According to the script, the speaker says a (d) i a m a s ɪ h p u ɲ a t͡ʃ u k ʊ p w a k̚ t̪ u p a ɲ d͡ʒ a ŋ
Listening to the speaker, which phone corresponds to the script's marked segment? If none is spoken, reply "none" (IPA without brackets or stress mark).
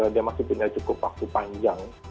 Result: d